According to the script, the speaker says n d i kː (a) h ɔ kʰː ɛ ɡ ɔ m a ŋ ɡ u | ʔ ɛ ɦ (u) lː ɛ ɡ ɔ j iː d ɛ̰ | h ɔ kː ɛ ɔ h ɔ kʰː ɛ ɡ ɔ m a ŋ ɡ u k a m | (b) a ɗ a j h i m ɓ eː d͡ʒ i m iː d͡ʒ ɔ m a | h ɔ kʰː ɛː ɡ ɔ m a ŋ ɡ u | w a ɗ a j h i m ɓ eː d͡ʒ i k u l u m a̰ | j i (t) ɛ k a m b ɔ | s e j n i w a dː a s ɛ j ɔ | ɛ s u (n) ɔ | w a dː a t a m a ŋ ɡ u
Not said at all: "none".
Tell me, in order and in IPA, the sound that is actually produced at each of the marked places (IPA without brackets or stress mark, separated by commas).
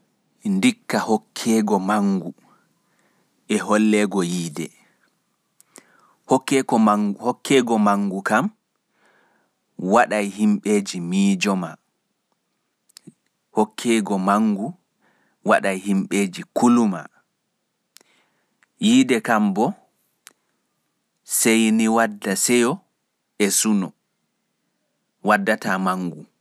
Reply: a, ɔ, w, d, n